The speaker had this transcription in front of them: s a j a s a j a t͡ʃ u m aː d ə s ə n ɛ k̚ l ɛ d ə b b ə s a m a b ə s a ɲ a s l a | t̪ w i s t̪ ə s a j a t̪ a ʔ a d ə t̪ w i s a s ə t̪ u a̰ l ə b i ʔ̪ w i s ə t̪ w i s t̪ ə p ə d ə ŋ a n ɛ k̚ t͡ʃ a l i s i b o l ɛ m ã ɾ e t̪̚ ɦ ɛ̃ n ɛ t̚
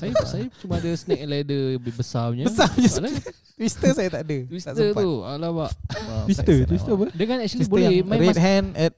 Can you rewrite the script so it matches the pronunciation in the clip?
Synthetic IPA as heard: s a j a s a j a t͡ʃ u m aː d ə s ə n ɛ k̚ l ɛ d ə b b ə s a ɲ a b ə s a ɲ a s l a | t̪ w i s t̪ ə s a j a t̪ a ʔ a d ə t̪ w i s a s ə t̪ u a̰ l a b a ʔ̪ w i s ə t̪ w i s t̪ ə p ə d ə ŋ a n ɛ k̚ t͡ʃ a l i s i b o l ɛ m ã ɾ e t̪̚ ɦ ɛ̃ n ɛ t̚